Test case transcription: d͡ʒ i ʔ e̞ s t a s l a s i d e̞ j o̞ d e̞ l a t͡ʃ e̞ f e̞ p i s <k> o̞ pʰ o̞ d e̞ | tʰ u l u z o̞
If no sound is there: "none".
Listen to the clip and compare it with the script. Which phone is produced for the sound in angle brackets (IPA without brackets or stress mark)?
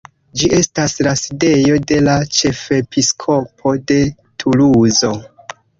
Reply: kʰ